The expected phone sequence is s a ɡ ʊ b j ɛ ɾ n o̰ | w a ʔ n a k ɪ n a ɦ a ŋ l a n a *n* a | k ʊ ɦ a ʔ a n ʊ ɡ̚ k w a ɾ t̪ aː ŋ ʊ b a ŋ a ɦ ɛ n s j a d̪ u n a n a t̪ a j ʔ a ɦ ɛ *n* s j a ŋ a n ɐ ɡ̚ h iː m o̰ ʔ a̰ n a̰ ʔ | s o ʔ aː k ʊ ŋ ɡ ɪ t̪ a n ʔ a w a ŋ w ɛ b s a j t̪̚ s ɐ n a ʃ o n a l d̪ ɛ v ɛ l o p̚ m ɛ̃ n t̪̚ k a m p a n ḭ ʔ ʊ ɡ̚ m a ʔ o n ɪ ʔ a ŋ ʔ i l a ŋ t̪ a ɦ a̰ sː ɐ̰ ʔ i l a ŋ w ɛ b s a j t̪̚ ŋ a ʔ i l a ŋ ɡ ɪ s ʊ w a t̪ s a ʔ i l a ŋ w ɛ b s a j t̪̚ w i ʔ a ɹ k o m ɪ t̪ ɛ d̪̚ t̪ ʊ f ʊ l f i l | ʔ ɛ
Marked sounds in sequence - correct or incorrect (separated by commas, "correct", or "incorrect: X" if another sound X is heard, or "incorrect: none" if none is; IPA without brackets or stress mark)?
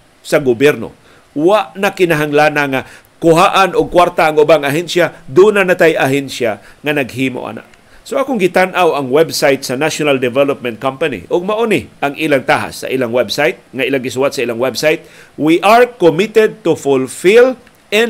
incorrect: ŋ, correct